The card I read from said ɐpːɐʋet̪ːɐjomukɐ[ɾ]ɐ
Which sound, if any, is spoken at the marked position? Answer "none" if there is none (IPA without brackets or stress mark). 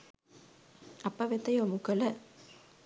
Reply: l